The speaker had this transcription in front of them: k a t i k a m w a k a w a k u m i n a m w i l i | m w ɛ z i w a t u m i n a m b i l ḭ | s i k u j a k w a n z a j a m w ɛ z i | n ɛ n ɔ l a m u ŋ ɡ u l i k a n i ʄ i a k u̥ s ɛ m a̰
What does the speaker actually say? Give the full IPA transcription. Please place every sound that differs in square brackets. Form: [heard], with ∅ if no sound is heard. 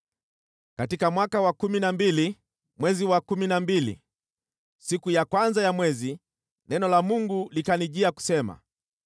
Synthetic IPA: k a t i k a m w a k a w a k u m i n a m [b] i l i | m w ɛ z i w a [k] u m i n a m b i l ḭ | s i k u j a k w a n z a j a m w ɛ z i | n ɛ n ɔ l a m u ŋ ɡ u l i k a n i ʄ i a k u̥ s ɛ m a̰